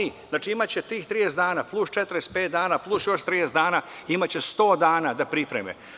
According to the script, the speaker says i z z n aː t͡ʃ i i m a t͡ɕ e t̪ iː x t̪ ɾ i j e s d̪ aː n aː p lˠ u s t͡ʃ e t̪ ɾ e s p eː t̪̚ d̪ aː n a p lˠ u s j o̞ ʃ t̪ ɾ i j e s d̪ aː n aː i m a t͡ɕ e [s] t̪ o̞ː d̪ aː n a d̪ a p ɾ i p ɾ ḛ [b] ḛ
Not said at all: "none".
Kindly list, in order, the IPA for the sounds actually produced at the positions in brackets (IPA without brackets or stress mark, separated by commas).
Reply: s, m